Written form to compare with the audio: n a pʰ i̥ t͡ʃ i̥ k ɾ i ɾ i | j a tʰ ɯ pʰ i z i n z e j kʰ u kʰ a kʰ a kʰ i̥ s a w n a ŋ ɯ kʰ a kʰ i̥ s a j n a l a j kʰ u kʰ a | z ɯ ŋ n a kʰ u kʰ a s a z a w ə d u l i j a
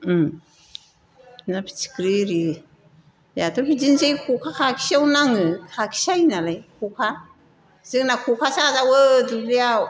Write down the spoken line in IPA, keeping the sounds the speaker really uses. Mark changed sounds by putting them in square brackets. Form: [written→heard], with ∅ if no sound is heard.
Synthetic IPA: n a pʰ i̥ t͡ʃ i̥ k ɾ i ɾ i | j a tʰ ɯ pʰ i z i n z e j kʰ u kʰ a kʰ a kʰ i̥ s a w n a ŋ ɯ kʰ a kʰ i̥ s a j n a l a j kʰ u kʰ a | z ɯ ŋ n a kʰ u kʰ a s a z a w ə d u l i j a